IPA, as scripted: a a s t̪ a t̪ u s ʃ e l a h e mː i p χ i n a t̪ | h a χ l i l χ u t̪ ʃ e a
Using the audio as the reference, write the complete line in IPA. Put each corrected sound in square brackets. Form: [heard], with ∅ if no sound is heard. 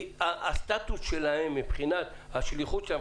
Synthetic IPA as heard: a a s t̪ a t̪ u s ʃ e l a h e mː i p χ i n a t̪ | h a [ʃ] l i [∅] χ u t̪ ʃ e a